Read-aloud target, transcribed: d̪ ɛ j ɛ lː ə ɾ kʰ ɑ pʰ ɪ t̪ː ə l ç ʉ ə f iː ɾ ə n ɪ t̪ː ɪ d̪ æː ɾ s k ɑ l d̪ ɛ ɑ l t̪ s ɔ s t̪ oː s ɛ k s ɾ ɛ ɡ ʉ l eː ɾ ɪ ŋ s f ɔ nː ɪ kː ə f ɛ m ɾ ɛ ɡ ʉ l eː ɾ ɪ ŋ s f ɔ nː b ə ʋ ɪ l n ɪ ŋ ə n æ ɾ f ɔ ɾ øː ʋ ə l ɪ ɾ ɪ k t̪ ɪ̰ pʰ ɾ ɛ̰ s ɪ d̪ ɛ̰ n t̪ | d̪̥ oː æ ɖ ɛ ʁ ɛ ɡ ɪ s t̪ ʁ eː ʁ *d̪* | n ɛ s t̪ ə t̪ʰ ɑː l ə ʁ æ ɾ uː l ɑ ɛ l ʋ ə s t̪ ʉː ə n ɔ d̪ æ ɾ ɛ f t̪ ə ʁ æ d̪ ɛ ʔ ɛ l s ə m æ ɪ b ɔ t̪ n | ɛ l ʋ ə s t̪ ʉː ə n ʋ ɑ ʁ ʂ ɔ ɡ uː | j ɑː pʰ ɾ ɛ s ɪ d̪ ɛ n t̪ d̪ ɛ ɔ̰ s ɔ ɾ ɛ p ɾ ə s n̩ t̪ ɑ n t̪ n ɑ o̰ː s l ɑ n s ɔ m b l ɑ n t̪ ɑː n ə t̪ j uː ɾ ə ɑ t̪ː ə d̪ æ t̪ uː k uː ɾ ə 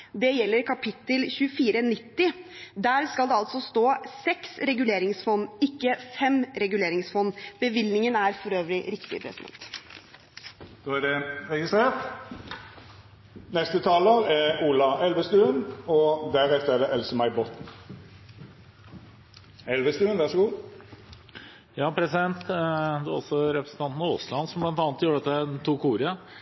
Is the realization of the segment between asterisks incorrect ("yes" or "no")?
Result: yes